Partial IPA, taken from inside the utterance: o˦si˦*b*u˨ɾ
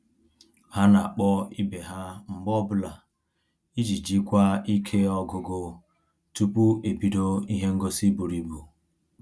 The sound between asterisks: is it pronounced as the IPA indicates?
yes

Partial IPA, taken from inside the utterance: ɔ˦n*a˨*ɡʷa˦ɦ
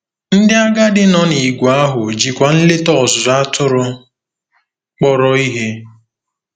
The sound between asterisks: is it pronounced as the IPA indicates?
no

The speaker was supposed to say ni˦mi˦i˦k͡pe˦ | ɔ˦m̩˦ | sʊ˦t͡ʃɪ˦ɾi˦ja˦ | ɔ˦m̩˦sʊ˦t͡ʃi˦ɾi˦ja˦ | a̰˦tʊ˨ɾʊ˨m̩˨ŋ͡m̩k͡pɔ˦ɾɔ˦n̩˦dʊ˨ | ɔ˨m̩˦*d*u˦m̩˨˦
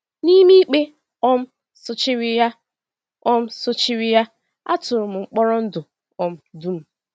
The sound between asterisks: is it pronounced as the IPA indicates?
yes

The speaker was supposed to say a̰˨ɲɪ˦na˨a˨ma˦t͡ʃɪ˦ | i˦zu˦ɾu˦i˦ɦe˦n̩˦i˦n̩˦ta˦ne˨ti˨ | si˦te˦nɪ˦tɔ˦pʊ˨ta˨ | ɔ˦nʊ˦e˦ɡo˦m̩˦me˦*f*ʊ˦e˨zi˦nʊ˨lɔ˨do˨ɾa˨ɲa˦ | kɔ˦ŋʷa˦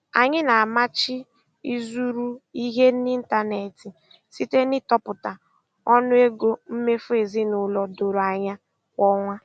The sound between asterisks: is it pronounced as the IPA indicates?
yes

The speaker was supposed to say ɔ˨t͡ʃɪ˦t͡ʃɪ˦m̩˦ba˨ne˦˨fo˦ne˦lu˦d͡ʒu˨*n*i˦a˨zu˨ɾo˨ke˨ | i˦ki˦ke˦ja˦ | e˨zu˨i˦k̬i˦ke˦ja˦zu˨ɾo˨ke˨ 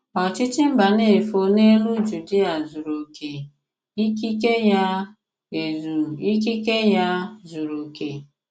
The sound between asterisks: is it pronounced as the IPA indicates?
no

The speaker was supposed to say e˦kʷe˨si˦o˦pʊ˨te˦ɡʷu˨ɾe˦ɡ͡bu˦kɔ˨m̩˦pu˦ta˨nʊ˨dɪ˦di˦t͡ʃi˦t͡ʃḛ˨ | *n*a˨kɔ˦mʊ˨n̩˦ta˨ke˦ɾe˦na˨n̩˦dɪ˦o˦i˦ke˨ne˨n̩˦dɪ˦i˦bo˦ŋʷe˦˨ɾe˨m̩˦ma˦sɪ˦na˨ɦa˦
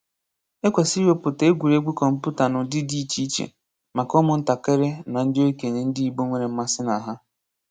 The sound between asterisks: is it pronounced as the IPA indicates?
no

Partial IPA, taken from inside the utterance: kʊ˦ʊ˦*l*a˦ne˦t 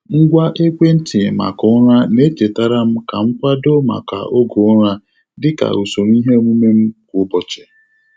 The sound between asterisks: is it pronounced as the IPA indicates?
no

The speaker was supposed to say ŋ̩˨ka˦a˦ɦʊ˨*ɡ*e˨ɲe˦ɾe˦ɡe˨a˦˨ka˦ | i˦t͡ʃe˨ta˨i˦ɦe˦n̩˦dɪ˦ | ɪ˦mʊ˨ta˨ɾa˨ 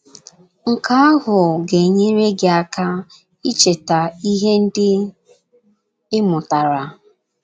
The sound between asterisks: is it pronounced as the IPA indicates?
yes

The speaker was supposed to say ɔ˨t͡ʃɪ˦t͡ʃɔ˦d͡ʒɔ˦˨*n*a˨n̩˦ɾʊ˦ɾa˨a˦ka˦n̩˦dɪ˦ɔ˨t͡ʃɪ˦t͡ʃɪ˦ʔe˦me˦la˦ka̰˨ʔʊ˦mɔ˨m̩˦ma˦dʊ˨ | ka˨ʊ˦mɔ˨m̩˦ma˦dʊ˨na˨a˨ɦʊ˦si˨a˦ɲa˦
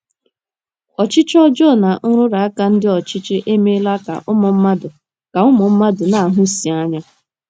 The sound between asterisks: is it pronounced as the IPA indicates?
yes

